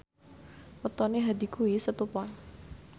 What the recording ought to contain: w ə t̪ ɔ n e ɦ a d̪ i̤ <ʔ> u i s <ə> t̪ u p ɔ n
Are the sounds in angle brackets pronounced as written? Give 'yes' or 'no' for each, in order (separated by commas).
no, yes